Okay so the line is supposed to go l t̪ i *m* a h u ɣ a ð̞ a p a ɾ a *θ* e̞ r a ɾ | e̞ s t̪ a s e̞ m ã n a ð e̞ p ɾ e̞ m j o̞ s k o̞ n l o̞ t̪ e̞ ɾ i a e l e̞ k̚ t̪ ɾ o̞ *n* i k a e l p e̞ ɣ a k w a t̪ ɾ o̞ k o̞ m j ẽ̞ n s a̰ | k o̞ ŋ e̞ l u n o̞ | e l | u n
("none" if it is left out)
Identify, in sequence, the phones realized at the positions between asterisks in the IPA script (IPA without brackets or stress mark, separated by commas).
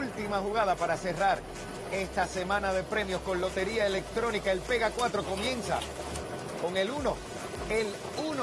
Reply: m, s, n